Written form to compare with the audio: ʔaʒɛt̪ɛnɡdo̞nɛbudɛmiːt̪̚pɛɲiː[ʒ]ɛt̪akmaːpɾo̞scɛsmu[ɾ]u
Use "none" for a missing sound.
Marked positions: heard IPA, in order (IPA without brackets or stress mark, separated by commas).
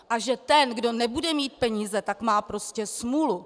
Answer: z, l